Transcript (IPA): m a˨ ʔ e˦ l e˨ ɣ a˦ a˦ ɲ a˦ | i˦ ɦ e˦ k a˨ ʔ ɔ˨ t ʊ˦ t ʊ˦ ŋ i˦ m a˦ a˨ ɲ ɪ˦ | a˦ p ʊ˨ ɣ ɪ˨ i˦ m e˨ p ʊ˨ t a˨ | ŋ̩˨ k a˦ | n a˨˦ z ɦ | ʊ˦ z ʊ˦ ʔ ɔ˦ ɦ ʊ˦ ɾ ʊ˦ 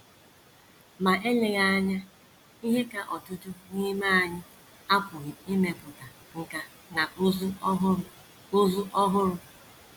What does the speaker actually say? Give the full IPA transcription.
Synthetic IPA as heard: m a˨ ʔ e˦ l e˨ ɣ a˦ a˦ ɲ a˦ | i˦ ɦ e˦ k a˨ ʔ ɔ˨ t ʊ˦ t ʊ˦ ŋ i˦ m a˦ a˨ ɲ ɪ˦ | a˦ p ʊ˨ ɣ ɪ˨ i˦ m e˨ p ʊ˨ t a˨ | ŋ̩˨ k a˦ | n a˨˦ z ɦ | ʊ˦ z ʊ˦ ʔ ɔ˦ ɦ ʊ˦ ɾ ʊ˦

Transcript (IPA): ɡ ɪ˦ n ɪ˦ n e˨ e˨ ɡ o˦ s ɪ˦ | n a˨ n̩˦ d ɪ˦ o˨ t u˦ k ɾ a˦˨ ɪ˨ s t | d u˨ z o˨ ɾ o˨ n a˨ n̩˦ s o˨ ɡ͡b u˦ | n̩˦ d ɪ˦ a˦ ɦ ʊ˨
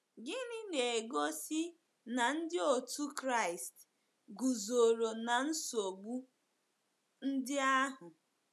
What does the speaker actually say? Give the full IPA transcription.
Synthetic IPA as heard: ɡ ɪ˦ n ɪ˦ n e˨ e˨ ɡ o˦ s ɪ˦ | n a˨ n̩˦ d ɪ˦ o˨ t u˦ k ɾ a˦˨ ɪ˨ s t | ɡ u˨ z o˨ ɾ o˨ n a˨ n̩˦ s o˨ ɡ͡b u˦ | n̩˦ d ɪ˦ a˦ ɦ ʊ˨

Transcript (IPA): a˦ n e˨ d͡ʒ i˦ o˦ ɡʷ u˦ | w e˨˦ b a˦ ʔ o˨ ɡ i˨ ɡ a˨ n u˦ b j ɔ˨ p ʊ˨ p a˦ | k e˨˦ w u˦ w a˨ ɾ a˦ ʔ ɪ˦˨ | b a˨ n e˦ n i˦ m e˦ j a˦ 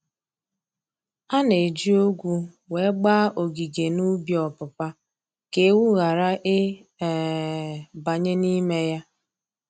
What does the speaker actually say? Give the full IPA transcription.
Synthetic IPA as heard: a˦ n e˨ d͡ʒ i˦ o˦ ɡʷ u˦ | w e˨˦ ɡ͡b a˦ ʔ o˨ ɡ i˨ ɡ e˨ n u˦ b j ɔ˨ p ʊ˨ p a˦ | k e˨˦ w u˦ ɣ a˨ ɾ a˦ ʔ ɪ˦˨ | b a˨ ɲ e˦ n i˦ m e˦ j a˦

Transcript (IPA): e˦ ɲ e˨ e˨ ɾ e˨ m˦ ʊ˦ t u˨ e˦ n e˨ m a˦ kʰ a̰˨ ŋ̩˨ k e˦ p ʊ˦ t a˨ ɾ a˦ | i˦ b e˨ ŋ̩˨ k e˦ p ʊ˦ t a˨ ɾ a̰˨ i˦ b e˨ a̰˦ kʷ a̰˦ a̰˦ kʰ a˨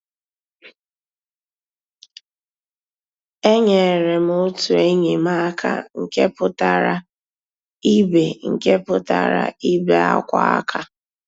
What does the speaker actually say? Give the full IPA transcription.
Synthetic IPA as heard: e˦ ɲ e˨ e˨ ɾ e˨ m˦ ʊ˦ t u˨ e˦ ɲ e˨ m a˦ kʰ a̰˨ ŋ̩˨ k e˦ p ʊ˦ t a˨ ɾ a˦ | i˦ b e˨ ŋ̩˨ k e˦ p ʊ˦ t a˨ ɾ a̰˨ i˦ b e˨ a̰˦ kʷ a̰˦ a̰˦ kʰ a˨

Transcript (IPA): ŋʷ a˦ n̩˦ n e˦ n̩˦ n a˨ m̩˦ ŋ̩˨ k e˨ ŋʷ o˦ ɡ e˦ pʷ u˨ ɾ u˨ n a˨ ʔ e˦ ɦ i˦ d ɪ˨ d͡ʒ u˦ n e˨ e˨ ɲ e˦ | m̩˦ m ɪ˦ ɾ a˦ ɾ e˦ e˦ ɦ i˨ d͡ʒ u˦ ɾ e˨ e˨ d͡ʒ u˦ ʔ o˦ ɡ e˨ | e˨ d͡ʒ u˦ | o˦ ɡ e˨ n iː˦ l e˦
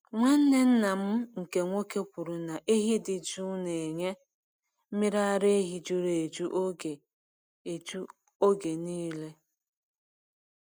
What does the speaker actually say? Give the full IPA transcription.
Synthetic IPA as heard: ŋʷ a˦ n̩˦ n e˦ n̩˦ n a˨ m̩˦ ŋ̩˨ k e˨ ŋʷ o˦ k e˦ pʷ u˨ ɾ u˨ n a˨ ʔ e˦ ɦ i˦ d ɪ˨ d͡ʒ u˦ n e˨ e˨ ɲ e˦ | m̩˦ m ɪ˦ ɾ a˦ ɾ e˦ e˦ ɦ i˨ d͡ʒ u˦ ɾ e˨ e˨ d͡ʒ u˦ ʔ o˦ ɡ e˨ | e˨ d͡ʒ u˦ | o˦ ɡ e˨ n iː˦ l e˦

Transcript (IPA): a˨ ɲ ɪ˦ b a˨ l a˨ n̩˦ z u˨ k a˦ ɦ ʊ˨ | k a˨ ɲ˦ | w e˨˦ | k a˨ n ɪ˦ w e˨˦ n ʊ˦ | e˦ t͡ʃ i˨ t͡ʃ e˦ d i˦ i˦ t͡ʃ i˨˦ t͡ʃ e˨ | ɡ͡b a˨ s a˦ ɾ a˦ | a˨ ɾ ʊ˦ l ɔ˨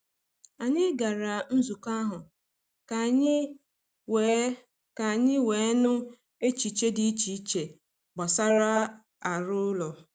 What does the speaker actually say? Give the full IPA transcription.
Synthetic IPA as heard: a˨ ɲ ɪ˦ ɡ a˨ ɾ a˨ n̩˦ z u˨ k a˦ ɦ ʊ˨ | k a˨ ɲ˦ | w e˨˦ | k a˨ ɲ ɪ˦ w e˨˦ n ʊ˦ | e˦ t͡ʃ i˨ t͡ʃ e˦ d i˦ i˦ t͡ʃ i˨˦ t͡ʃ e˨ | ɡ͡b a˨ s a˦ ɾ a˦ | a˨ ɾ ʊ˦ l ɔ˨

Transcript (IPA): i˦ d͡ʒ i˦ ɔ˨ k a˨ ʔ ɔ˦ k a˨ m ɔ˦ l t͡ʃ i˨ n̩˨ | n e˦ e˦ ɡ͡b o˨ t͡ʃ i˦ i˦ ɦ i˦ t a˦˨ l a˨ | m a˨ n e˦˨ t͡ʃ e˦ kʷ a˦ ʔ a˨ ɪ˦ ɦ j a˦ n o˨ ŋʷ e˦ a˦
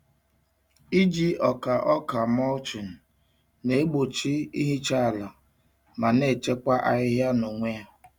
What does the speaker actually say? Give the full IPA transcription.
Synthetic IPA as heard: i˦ d͡ʒ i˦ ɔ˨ k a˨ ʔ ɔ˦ k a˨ m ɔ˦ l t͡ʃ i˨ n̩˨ | n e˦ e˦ ɡ͡b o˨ t͡ʃ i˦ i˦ ɦ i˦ t͡ʃ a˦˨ l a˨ | m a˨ n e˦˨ t͡ʃ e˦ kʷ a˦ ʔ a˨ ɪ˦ ɦ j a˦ n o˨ ŋʷ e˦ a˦

